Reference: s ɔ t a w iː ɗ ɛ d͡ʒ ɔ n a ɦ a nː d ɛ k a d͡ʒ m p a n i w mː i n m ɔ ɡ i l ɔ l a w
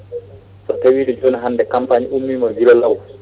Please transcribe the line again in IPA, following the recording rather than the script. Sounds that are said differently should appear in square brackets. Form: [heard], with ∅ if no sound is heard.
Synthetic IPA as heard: s ɔ t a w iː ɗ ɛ d͡ʒ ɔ n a ɦ a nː d ɛ k a [∅] m p a [ɲ] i [u] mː i [∅] m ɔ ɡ i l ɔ l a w